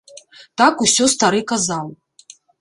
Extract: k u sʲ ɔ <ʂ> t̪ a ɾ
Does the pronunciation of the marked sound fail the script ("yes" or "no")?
yes